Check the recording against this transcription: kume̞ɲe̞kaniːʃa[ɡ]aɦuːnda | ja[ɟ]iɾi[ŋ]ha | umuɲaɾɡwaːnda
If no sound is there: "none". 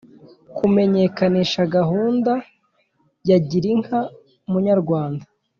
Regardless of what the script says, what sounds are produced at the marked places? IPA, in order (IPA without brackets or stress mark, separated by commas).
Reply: ɡ, ɟ, ŋ